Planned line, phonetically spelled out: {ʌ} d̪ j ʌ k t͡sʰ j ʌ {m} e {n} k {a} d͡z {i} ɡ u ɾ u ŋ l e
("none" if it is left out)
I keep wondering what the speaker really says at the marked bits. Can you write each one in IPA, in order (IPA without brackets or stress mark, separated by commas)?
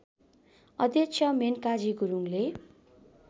ʌ, m, n, a, i